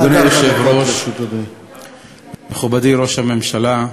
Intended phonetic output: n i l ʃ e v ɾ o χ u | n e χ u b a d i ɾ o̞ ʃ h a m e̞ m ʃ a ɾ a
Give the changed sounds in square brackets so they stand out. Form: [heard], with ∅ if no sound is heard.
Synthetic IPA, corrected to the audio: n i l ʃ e v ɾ o [ʃ] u | [m] e χ u b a d i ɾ o̞ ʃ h a m e̞ m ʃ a [l] a